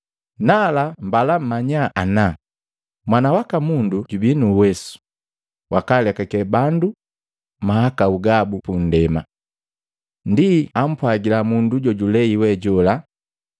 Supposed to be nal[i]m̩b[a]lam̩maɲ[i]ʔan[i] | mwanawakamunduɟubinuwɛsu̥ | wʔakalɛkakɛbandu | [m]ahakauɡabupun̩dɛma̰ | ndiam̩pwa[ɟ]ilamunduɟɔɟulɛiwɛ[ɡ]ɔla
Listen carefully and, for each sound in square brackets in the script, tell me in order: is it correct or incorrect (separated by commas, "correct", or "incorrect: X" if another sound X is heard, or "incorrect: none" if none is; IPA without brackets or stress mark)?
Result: incorrect: a, correct, incorrect: a, incorrect: a, correct, incorrect: ɡ, incorrect: ɟ